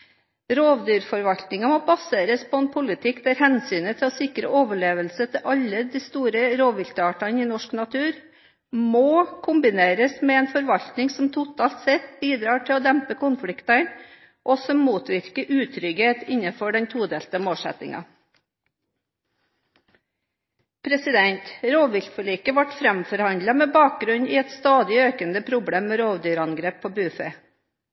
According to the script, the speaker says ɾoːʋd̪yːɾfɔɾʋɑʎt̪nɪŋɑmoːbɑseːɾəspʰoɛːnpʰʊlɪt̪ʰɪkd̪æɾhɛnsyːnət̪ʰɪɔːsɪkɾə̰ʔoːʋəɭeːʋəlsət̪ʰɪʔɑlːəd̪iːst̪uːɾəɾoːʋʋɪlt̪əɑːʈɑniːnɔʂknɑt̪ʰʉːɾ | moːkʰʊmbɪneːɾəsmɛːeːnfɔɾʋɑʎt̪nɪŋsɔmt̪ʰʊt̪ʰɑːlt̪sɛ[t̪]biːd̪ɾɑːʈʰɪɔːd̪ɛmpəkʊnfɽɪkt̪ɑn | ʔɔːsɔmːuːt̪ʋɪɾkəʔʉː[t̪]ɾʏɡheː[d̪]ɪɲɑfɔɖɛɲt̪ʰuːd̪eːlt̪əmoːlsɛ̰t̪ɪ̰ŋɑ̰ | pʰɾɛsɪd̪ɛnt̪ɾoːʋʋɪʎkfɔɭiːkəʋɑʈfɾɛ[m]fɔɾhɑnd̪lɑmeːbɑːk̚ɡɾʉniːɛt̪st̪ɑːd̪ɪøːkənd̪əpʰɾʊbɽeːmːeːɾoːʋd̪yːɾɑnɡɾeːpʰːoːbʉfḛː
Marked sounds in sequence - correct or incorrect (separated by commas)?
correct, incorrect, incorrect, correct